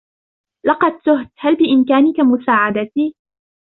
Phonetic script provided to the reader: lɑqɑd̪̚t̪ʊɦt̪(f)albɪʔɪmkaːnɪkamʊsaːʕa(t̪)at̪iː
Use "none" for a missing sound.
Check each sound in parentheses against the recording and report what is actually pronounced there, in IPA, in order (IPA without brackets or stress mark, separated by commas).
h, d̪